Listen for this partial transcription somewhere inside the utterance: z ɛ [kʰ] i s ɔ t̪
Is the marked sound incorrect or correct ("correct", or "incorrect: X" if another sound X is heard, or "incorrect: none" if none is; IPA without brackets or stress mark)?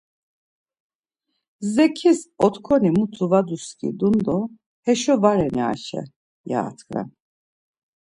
correct